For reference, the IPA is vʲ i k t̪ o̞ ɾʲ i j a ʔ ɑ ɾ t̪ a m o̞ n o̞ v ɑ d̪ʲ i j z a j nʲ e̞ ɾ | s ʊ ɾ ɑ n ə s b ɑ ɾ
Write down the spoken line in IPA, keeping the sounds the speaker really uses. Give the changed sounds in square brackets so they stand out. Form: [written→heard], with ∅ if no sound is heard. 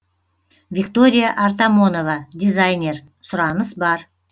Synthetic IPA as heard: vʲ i k t̪ o̞ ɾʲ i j a ʔ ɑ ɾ t̪ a m o̞ n o̞ v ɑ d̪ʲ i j z a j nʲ e̞ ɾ | s ʊ ɾ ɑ n ə s b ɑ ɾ